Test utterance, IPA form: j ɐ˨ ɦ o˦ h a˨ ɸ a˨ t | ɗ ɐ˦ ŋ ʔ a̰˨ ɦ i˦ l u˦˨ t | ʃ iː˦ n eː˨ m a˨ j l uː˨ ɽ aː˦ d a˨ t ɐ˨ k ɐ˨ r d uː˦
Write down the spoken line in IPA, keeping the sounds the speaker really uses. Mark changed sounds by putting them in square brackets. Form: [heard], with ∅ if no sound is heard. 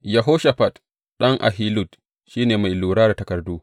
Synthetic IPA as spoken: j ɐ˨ ɦ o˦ [ʃ] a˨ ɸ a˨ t | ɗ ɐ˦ ŋ ʔ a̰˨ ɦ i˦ l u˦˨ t | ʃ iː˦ n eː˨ m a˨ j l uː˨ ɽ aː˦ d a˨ t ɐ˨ k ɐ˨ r d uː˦